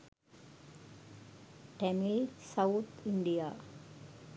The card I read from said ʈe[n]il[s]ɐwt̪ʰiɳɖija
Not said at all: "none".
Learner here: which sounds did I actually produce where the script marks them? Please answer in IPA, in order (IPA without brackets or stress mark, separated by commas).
m, s